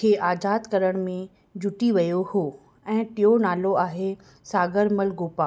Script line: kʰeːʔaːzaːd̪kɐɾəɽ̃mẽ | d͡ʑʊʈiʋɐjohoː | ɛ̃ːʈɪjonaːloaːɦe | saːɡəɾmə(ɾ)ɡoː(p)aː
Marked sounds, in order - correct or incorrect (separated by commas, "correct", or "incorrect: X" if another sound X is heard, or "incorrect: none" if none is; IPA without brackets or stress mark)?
incorrect: l, correct